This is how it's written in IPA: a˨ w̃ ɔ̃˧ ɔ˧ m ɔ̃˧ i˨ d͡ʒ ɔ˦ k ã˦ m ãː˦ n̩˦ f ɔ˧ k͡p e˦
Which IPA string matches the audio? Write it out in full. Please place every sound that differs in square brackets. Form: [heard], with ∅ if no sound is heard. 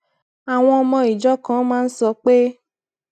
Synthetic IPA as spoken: a˨ w̃ ɔ̃˧ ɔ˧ m ɔ̃˧ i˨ d͡ʒ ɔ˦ k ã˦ m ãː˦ n̩˦ [s] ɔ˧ k͡p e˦